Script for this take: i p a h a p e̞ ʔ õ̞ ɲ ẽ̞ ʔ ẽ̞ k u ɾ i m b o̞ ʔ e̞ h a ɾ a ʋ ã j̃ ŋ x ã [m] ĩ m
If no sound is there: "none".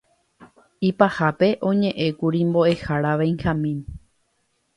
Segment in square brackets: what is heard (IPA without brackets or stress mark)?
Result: m